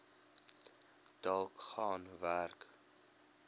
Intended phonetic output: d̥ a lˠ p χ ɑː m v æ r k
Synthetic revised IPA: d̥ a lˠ k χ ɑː n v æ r k

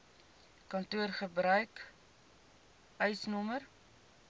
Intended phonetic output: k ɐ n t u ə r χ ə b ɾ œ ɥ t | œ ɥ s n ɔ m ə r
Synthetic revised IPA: k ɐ n t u ə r χ ə b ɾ œ ɥ k | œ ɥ s n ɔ m ə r

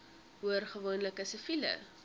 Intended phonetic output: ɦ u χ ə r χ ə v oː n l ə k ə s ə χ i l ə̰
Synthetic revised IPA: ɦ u ə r χ ə v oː n l ə k ə s ə f i l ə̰

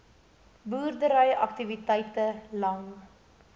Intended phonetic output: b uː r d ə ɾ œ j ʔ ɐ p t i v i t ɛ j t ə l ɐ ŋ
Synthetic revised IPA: b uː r d ə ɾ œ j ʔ ɐ k t i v i t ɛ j t ə l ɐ ŋ

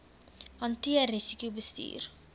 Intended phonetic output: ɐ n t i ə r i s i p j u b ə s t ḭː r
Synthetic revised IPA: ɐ n t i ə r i s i k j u b ə s t ḭː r

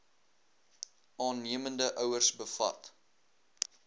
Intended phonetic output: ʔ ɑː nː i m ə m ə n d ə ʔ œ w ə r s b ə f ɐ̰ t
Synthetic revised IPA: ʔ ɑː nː i ə m ə n d ə ʔ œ w ə r s b ə f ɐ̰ t

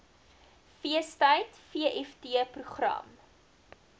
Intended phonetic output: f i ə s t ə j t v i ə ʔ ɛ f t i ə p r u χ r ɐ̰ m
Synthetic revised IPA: f i ə s t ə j t f i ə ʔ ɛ f t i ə p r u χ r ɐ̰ m

